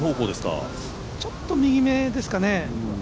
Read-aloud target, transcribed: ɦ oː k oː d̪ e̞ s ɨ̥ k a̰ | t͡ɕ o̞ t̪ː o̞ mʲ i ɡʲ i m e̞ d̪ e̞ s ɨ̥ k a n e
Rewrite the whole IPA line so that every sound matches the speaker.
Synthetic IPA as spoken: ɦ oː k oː d̪ e̞ s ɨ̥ k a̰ | t͡ɕ o̞ t̪ː o̞ mʲ i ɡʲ i m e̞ d̪ e̞ s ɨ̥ k a n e